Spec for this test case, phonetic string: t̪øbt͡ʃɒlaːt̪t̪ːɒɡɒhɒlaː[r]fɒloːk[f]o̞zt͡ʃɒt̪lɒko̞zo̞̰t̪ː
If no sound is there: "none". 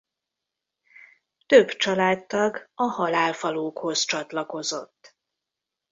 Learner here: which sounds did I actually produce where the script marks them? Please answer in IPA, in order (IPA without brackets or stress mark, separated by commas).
l, h